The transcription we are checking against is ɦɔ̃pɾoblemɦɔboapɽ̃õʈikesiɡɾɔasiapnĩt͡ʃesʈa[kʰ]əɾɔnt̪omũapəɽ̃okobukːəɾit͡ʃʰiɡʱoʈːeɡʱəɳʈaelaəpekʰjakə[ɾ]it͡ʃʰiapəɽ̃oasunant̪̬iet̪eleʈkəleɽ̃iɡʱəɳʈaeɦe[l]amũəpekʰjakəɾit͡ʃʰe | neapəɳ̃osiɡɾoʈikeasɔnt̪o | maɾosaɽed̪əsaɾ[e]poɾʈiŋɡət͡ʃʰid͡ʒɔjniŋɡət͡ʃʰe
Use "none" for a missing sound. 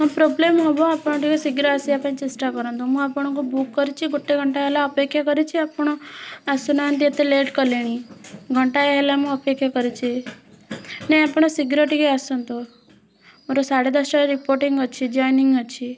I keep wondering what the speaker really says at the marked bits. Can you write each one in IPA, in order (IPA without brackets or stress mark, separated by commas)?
k, ɾ, l, i